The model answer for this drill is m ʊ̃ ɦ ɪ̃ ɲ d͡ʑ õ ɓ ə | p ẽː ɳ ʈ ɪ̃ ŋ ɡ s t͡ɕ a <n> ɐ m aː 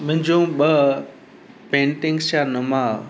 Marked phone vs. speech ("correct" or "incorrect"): correct